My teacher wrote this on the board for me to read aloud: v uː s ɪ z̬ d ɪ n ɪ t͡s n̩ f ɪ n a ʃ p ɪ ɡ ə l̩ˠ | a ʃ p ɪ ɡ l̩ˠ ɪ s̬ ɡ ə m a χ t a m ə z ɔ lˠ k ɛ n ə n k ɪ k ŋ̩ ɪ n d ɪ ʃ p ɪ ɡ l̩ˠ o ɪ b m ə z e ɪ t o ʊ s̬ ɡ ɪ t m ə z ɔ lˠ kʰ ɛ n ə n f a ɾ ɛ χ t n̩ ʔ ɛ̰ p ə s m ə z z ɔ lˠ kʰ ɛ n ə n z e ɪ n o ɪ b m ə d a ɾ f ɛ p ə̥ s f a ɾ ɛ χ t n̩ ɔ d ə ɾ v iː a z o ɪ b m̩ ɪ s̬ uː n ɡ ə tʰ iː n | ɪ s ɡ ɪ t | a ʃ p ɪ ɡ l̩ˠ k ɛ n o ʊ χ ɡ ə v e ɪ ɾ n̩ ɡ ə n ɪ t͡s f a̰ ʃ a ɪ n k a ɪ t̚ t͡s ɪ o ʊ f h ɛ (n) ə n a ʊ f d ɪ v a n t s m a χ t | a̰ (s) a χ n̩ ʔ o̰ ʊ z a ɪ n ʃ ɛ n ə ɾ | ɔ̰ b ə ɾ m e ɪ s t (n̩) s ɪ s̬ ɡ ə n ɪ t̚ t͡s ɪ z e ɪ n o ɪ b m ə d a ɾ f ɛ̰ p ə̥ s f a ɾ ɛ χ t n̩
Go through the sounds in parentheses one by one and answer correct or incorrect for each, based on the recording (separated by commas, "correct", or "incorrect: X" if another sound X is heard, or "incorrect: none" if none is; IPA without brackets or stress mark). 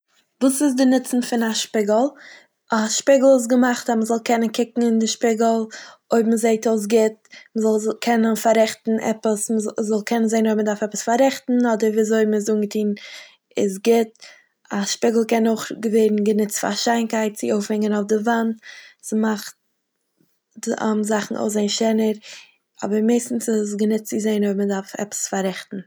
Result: incorrect: ŋ, incorrect: z, correct